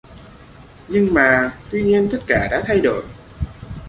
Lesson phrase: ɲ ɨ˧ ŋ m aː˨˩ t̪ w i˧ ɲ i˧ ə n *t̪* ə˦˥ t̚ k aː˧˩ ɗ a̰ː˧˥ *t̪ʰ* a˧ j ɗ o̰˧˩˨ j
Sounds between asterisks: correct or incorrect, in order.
correct, correct

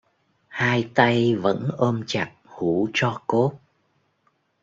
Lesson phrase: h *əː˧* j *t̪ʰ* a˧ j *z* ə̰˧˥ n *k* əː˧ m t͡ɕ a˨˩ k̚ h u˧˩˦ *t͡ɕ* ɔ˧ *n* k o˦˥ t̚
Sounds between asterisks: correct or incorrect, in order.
incorrect: aː˧, incorrect: t̪, incorrect: v, incorrect: ʔ, correct, incorrect: none

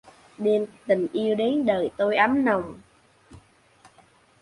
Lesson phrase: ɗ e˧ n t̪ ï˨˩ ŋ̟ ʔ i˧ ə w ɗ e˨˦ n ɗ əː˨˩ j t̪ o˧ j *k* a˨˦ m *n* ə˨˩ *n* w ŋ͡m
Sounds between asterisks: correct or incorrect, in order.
incorrect: ʔ, correct, incorrect: none

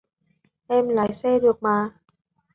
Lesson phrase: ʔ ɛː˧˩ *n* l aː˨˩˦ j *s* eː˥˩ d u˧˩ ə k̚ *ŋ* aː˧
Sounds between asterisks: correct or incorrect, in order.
incorrect: m, correct, incorrect: m

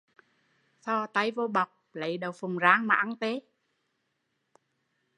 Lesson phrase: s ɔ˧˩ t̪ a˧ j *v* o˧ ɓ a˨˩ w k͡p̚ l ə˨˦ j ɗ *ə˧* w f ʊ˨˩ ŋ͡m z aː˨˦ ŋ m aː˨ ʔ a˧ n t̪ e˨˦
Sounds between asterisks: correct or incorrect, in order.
correct, incorrect: ə˨˩

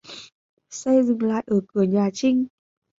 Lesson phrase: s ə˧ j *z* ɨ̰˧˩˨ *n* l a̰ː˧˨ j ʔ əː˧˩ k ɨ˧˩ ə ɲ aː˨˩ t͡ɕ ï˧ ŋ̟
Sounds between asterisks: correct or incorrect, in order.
correct, incorrect: ŋ

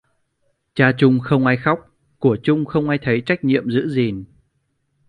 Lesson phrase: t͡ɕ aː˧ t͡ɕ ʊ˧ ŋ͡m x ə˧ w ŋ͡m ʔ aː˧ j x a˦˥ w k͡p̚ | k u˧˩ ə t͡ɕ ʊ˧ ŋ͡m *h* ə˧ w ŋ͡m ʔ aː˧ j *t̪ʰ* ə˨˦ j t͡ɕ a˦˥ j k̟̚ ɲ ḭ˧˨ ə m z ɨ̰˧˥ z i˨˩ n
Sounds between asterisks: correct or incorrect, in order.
incorrect: x, correct

